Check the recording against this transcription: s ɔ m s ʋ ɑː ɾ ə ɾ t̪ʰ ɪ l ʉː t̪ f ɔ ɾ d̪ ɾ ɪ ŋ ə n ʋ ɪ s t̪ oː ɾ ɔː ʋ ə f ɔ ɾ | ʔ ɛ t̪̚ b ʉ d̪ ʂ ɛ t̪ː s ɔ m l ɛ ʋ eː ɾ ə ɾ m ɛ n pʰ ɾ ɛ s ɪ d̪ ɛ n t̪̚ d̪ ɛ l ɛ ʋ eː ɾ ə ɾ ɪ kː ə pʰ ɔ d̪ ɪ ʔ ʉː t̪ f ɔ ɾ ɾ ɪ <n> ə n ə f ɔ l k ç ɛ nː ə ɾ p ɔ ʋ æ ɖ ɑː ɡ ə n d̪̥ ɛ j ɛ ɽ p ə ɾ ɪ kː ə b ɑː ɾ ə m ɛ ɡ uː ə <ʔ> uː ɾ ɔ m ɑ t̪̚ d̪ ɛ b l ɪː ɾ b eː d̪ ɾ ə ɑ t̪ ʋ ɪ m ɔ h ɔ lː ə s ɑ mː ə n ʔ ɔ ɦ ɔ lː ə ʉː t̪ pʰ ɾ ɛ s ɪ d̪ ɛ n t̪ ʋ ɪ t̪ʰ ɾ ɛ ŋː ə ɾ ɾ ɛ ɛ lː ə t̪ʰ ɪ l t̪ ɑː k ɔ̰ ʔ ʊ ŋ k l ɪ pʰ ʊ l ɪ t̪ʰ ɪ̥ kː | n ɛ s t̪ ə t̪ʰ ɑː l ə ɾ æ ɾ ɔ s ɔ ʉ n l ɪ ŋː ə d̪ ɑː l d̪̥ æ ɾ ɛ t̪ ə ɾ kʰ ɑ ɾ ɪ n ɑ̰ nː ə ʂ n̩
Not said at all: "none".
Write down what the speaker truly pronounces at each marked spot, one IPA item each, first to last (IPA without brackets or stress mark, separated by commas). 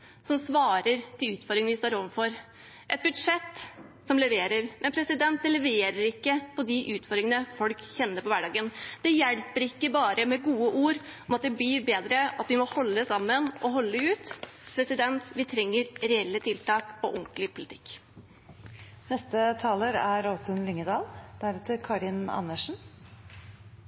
ŋ, ʔ